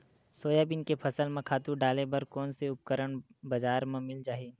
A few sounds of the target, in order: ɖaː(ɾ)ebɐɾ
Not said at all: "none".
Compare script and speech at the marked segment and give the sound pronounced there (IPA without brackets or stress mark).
l